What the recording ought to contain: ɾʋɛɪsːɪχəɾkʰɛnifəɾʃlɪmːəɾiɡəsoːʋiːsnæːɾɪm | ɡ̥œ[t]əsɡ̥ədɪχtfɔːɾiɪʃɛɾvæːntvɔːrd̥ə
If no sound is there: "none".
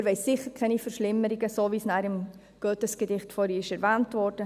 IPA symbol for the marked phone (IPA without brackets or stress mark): t